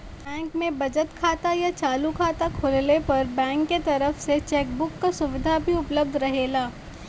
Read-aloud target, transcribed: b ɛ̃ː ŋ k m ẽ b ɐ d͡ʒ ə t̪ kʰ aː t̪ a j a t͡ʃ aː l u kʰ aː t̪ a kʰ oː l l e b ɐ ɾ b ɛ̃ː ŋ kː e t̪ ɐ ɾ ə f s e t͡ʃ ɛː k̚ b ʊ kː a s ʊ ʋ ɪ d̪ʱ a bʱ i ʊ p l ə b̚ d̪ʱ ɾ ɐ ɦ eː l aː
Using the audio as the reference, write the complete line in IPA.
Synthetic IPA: b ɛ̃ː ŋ k m ẽ b ɐ d͡ʒ ə t̪ kʰ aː t̪ a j a t͡ʃ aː l u kʰ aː t̪ a kʰ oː l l e p ɐ ɾ b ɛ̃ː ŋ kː e t̪ ɐ ɾ ə f s e t͡ʃ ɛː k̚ b ʊ kː a s ʊ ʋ ɪ d̪ʱ a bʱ i ʊ p l ə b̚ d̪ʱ ɾ ɐ ɦ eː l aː